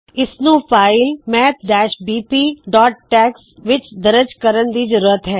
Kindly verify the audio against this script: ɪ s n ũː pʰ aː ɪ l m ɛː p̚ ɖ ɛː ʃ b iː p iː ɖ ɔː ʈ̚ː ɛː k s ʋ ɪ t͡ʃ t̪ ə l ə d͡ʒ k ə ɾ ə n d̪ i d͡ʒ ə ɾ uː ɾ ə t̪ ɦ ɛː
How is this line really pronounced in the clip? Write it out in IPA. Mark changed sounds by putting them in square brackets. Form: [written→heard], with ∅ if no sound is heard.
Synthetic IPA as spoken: ɪ s n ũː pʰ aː ɪ l m ɛː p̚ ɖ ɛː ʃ b iː p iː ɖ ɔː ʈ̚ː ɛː k s ʋ ɪ t͡ʃ [t̪→d̪] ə [l→ɾ] ə d͡ʒ k ə ɾ ə n d̪ i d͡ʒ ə ɾ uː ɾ ə t̪ ɦ ɛː